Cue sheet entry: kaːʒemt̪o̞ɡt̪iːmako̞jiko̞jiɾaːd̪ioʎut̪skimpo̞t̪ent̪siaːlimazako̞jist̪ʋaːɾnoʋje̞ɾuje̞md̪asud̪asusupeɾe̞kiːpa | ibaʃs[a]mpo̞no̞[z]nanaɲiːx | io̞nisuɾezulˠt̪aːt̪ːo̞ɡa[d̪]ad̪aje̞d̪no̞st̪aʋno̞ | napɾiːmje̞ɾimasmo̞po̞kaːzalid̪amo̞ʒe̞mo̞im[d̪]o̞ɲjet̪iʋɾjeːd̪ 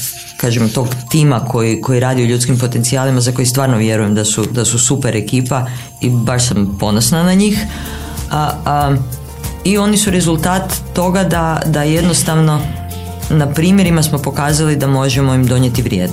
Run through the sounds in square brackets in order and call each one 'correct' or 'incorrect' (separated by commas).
correct, incorrect, correct, correct